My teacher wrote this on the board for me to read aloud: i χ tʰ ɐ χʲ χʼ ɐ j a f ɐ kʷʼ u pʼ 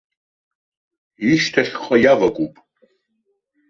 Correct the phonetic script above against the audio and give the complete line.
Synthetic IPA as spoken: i ʃ tʰ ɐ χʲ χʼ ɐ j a v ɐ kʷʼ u pʼ